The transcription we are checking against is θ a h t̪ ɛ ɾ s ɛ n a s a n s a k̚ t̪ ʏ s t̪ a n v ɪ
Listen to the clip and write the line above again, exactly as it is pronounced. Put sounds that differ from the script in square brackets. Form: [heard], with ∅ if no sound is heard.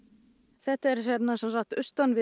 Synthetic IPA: θ [ɛ] h t̪ ɛ ɾ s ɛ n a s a n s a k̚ t̪ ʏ s t̪ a n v ɪ

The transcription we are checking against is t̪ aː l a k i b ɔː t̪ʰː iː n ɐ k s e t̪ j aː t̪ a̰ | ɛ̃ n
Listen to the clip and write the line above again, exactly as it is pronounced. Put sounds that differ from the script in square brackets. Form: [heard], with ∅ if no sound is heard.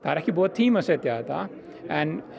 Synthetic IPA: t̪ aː [ɾ] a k i b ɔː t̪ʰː iː [m] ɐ [∅] s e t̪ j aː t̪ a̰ | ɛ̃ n

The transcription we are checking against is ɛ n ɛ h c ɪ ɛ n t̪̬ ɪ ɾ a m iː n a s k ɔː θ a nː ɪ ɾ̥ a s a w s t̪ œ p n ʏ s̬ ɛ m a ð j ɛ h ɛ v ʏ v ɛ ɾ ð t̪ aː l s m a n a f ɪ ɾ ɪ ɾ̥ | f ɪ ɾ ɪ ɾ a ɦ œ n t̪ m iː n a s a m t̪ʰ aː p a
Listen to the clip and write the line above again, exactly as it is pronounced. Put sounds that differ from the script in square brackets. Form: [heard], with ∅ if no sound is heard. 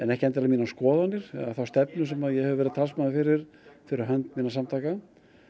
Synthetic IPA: ɛ n ɛ h c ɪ ɛ n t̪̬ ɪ ɾ a m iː n a s k ɔː [ð] a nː ɪ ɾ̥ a [θ] a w s t̪ [ɛ] p n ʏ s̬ ɛ m a ð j ɛ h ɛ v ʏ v ɛ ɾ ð [t̪ʰ] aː l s m a n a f ɪ ɾ ɪ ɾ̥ | f ɪ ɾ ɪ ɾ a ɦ œ n t̪ m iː n a s a m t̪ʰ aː [k] a

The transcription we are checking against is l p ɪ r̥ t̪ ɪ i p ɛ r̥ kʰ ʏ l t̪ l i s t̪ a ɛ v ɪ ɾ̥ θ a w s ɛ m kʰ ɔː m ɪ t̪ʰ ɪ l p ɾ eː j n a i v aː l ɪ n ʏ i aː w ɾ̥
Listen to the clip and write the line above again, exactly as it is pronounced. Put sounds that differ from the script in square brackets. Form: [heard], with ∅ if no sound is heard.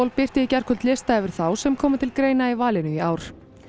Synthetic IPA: l p ɪ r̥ t̪ ɪ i [c] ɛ r̥ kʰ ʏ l t̪ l [ɪ] s t̪ a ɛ v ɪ ɾ̥ θ a w s ɛ m kʰ ɔː m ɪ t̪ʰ ɪ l [k] ɾ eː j n a i v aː l ɪ n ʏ i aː w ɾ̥

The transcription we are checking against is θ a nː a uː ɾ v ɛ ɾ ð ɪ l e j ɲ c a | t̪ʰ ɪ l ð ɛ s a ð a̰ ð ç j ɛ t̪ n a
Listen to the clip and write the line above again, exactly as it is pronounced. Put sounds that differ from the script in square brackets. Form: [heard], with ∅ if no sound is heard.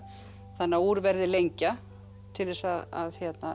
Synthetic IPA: θ a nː a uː ɾ v ɛ ɾ ð ɪ l e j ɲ c a | t̪ʰ ɪ l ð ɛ s a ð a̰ ð ç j ɛ t̪ n a

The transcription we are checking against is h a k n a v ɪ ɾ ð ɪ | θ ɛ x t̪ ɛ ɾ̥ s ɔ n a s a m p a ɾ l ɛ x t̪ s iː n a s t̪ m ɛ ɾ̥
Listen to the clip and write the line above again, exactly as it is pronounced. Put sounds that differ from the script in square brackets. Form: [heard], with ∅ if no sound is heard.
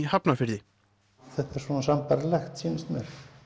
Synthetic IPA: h a [p] n a [f] ɪ ɾ ð ɪ | θ ɛ [h] t̪ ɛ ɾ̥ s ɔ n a s a m p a ɾ l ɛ x t̪ s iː n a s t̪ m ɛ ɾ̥

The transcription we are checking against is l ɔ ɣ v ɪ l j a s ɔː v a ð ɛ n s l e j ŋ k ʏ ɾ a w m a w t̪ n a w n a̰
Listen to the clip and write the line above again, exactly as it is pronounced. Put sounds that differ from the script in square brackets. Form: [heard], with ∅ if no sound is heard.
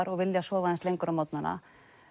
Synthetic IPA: [ɾ] ɔ ɣ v ɪ l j a s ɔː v a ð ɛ n s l e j ŋ k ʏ ɾ a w m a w t̪ n a [∅] n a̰

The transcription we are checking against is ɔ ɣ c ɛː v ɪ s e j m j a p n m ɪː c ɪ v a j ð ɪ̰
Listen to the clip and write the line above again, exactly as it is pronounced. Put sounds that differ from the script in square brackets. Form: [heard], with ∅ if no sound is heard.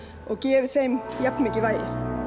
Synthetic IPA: ɔ ɣ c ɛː v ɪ [θ] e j m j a p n m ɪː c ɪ v a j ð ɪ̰

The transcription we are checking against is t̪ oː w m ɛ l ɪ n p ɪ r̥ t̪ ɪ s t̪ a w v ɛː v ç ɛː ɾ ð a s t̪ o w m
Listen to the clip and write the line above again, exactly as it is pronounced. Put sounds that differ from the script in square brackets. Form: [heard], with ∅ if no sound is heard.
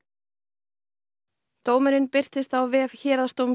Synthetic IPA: t̪ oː w m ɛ [ɾ] ɪ n p ɪ r̥ t̪ ɪ s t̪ a w v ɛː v ç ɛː ɾ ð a s t̪ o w m

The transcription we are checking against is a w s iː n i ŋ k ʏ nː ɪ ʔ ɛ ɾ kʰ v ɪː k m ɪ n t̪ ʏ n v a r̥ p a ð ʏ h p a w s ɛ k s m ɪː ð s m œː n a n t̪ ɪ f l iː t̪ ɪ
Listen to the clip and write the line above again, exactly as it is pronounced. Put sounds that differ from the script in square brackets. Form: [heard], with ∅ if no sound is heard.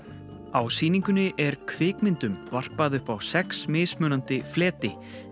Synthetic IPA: a w s iː n i ŋ k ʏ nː ɪ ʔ ɛ ɾ kʰ v ɪː k m ɪ n t̪ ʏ [m] v a r̥ p a ð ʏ h p a w s ɛ k s m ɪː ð s m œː n a n t̪ ɪ f l [ɛː] t̪ ɪ

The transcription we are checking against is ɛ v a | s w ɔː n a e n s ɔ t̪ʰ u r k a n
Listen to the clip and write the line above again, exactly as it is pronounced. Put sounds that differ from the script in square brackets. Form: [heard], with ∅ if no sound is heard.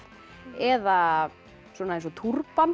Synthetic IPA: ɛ [ð] a | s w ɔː n a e n s ɔ t̪ʰ u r [p] a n

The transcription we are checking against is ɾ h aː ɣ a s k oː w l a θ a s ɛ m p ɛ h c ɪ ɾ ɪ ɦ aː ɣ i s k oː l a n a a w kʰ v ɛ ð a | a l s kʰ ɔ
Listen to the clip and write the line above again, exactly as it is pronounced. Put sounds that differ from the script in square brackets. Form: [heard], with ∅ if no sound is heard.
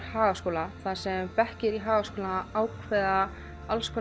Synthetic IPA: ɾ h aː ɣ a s k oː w l a θ a s ɛ m p ɛ h c ɪ ɾ [i] ɦ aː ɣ [a] s k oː l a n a a w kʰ v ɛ ð a | a l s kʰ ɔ

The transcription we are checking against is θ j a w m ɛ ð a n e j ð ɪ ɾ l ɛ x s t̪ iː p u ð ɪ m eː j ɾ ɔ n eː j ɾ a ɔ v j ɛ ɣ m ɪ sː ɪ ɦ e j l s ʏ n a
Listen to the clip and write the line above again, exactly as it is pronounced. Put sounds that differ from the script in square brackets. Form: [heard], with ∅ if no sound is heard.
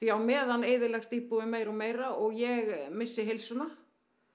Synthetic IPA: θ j a w m [ɛː] ð a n e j ð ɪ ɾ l ɛ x s t̪ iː p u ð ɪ m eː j ɾ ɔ [m] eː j ɾ a ɔ [ɣ] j ɛ ɣ m ɪ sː ɪ ɦ e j l s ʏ n a

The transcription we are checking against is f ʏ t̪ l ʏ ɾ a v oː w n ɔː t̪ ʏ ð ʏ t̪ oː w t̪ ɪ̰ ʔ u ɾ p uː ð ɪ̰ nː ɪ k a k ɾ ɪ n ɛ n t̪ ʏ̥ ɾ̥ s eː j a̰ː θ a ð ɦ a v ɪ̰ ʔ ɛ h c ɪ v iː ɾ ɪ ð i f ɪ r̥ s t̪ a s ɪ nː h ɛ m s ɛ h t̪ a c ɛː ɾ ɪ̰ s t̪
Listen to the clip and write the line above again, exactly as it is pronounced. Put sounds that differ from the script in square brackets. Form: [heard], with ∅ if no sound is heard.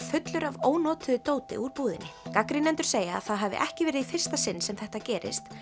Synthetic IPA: f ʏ t̪ l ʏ ɾ a v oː w n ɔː t̪ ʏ ð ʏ t̪ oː w t̪ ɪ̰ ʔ u ɾ p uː ð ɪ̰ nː ɪ k a k ɾ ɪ n ɛ n t̪ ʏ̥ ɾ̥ s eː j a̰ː θ a ð ɦ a v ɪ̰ ʔ ɛ h c ɪ v [ɛː] ɾ ɪ ð i f ɪ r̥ s t̪ a s ɪ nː [s] ɛ m [θ] ɛ h t̪ a c ɛː ɾ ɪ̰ s t̪

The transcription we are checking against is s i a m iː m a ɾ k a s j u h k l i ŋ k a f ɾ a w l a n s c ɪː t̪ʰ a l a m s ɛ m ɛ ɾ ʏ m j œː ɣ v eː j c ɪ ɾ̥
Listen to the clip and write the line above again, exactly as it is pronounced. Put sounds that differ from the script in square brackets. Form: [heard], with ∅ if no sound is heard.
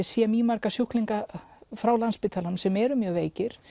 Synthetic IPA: s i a m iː m a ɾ k a s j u h k l i ŋ k a f ɾ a w l a n s [p] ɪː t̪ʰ a l a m s ɛ m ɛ ɾ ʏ m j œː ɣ v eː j c ɪ ɾ̥

